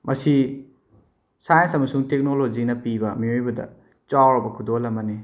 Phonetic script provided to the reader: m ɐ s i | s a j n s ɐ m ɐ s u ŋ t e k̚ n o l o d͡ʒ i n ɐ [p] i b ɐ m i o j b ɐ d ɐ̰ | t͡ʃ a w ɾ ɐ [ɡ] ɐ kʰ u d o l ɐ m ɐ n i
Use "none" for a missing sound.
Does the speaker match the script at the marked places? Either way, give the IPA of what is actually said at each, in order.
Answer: p, b

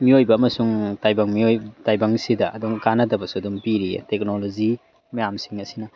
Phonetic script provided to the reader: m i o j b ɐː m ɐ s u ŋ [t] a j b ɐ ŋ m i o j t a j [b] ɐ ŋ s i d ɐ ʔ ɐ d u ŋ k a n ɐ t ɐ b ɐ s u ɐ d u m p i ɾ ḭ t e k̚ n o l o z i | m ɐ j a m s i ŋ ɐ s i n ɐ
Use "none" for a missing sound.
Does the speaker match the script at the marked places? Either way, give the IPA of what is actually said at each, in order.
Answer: t, b

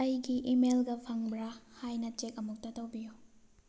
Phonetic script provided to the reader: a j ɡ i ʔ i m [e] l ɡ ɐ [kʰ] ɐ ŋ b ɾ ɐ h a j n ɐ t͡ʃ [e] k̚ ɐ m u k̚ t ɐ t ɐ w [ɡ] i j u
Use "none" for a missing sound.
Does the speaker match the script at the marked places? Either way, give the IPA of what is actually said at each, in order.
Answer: e, pʰ, e, b

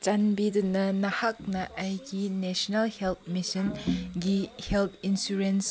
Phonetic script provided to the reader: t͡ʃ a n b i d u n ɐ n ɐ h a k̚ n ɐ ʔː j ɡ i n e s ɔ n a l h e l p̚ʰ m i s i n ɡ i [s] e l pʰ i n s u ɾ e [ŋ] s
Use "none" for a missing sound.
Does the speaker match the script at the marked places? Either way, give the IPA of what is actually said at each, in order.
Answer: h, n

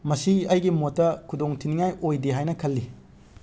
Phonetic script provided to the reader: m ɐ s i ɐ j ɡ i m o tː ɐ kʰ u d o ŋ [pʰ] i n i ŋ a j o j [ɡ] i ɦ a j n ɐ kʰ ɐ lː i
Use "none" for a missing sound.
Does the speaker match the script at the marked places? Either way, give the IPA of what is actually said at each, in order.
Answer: tʰ, d

